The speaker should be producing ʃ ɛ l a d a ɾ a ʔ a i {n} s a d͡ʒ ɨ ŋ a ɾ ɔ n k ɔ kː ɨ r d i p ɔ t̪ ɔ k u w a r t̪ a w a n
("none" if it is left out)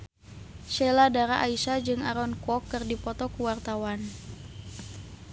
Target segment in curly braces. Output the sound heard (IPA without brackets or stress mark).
none